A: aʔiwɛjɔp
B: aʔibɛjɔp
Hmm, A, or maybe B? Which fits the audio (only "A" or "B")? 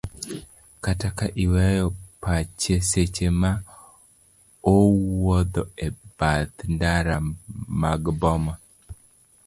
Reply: A